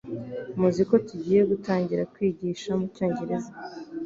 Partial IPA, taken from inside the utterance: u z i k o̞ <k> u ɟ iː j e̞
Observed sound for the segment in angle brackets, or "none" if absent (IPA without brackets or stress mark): t